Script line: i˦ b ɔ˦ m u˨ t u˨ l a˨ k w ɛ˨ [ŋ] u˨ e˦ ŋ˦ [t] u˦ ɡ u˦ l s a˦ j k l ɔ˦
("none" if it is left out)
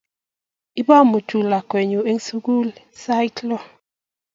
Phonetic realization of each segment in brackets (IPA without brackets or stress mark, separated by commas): ɲ, s